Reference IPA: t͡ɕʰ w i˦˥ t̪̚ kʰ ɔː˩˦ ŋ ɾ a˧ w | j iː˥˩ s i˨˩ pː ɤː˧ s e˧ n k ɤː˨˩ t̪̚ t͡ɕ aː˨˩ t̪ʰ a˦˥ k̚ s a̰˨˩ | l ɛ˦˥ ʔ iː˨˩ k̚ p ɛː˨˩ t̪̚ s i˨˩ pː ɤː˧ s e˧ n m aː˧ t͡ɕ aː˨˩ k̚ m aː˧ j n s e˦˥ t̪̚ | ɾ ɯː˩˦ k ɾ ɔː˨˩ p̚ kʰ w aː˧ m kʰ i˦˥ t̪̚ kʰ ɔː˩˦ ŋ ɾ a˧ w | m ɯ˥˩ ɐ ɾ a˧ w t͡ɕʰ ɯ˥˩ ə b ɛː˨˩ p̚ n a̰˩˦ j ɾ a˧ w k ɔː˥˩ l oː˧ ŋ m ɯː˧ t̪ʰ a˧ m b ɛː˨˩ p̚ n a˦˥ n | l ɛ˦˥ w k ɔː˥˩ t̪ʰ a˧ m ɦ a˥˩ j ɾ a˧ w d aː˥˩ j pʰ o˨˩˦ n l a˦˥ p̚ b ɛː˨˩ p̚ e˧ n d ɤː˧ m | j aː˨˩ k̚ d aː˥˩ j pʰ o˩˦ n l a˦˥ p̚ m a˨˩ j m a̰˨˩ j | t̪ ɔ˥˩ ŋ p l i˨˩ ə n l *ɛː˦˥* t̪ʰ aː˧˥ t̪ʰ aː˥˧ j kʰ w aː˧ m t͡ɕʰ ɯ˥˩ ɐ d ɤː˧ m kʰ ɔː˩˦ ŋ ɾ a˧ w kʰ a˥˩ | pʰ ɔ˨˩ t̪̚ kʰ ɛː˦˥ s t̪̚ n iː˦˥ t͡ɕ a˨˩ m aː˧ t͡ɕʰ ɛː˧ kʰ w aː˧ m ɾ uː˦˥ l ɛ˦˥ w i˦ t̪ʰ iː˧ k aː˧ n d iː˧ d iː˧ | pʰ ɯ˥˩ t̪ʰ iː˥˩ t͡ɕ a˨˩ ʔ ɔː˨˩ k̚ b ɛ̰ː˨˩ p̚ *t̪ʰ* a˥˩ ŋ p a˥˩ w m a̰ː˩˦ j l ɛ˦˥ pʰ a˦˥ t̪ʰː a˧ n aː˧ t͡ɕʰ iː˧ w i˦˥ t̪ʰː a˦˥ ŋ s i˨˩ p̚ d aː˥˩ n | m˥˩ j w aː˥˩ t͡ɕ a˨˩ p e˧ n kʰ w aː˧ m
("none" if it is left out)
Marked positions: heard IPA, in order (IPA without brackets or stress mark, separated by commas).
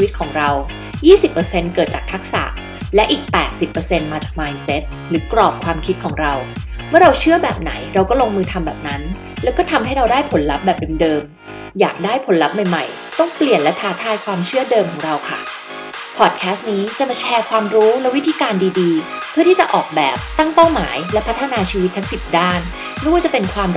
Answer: ɛ˦˥, t̪